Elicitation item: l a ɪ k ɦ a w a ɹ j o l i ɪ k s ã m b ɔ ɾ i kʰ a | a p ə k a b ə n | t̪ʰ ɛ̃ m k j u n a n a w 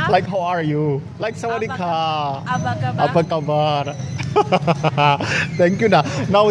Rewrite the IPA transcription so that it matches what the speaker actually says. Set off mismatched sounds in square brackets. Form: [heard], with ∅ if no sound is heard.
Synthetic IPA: l a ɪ k ɦ a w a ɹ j [u] l [a] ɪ k s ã m b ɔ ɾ i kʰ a | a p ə k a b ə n | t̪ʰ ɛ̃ [ŋ] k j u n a n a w